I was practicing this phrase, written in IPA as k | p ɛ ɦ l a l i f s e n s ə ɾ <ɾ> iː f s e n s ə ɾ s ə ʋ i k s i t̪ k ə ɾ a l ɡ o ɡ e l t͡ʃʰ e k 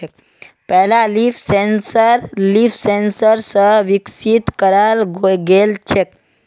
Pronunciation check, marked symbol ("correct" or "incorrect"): incorrect